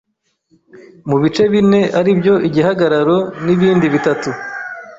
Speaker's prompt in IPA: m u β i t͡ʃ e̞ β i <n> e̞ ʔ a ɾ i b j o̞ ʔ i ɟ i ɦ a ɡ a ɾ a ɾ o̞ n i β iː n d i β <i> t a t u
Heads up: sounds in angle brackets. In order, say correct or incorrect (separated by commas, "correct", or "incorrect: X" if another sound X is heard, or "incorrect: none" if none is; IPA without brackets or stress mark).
correct, correct